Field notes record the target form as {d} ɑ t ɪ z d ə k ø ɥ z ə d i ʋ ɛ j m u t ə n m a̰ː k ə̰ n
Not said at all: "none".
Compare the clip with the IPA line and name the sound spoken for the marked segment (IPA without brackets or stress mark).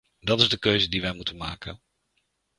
d